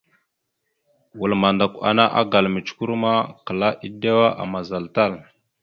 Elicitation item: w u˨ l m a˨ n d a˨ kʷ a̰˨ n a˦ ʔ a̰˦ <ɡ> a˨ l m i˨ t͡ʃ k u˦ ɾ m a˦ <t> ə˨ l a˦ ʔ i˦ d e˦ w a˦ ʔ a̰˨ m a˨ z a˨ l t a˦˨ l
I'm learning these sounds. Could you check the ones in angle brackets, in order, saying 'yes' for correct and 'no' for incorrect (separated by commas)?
yes, no